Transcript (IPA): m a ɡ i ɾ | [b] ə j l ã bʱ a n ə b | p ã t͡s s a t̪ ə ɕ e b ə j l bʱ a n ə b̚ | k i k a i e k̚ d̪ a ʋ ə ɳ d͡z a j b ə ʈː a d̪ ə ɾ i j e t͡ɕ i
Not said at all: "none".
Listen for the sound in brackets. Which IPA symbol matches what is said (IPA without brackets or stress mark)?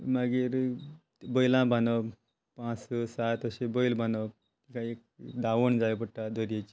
b